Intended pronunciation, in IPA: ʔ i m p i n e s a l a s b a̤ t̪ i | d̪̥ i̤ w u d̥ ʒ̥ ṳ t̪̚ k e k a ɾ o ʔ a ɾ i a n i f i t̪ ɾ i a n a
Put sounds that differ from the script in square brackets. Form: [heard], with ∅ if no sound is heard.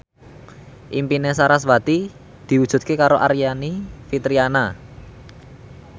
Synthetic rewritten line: ʔ i m p i n e s a [ɾ] a s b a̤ t̪ i | d̪̥ i̤ w u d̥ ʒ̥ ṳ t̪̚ k e k a ɾ o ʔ a ɾ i a n i f i t̪ ɾ i a n a